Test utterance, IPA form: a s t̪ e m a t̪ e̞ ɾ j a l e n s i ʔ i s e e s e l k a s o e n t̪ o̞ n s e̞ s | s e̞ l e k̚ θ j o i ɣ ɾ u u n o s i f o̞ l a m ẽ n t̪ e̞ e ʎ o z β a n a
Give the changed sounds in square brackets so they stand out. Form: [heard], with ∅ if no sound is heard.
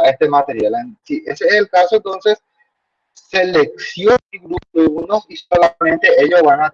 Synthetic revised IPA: [e] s t̪ e m a t̪ e̞ ɾ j a l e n s i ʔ [e] s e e s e l k a s o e n t̪ o̞ n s e̞ s | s e̞ l e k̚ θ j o i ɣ ɾ u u n o s i [s] o̞ l a m ẽ n t̪ e̞ e ʎ o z β a n a